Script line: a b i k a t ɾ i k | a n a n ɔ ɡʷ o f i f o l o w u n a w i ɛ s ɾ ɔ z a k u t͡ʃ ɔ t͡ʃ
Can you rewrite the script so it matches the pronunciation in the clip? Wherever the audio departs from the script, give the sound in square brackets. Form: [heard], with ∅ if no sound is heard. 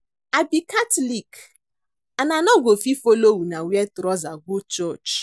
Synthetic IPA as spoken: a b i k a t [l] i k | a n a n ɔ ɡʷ o f i f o l o w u n a w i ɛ [t] ɾ ɔ z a [ɡ] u t͡ʃ ɔ t͡ʃ